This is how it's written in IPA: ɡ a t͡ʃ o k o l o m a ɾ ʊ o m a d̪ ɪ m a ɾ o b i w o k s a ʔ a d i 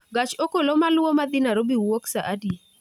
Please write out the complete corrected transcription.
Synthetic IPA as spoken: ɡ a t͡ʃ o k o l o m a l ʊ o m a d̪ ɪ n a ɾ o b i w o k s a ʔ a d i